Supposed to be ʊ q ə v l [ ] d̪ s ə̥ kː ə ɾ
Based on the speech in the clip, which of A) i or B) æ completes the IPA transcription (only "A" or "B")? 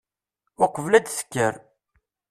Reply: B